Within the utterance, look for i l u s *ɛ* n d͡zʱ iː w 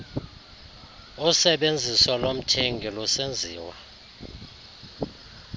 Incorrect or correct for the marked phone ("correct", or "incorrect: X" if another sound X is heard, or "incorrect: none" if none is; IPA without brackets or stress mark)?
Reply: incorrect: e